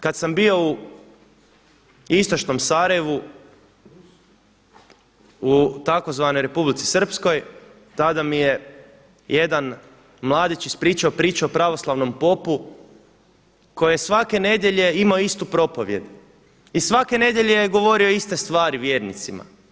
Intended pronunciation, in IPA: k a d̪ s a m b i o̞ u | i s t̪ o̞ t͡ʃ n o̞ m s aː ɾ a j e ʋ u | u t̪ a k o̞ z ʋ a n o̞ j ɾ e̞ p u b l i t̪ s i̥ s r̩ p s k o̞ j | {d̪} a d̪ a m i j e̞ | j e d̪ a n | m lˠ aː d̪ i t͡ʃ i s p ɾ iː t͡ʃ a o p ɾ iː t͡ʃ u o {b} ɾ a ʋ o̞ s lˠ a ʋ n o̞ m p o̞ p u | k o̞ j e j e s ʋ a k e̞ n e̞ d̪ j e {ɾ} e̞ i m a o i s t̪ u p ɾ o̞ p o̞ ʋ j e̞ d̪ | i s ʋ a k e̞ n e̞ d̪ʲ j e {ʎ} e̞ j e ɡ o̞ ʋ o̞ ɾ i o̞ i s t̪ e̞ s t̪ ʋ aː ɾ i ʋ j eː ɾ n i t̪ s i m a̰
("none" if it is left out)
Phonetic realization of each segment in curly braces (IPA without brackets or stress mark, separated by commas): t̪, p, ʎ, ʎ